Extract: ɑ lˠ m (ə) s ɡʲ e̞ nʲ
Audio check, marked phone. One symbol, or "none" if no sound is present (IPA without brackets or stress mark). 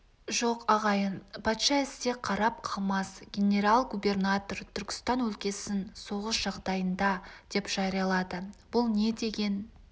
ɑ